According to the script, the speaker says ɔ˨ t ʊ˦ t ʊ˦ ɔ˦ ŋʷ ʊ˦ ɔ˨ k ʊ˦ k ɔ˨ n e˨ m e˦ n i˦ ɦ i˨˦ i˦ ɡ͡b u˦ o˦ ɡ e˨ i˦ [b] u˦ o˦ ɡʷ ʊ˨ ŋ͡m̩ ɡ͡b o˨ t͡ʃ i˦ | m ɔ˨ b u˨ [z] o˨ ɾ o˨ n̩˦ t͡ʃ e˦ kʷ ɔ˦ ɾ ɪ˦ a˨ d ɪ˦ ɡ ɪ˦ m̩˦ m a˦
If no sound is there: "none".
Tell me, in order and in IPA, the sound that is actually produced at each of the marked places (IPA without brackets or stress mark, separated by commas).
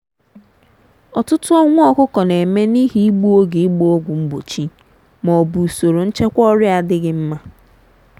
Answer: ɡ͡b, s